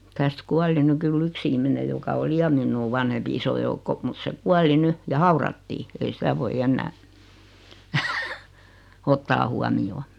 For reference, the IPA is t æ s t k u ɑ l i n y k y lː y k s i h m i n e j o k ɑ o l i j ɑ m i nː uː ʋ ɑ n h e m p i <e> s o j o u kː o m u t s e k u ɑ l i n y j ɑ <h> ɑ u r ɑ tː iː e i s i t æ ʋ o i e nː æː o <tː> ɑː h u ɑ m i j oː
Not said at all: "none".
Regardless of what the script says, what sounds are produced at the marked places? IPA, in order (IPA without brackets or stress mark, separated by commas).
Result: i, h, tː